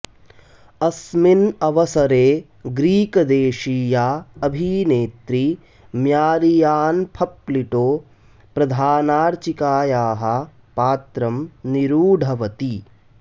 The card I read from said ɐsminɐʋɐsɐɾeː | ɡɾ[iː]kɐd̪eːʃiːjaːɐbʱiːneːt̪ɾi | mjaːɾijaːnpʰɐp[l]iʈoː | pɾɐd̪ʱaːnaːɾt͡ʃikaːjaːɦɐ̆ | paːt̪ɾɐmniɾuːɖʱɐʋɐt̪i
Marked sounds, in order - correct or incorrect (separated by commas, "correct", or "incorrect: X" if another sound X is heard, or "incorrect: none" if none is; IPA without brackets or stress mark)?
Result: correct, correct